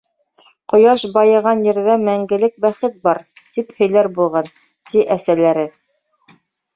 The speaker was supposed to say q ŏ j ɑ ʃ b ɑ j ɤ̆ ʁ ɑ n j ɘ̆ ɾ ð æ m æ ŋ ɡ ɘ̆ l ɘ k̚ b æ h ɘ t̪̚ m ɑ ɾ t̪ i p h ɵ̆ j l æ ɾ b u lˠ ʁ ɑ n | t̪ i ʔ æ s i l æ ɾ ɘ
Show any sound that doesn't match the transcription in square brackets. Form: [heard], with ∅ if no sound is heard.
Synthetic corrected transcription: q ŏ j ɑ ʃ b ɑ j ɤ̆ ʁ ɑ n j ɘ̆ ɾ ð æ m æ ŋ ɡ ɘ̆ l ɘ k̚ b æ [χ] ɘ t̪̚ [b] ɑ ɾ t̪ i p h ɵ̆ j l æ ɾ b u lˠ ʁ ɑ n | t̪ i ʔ æ s [æ] l æ ɾ ɘ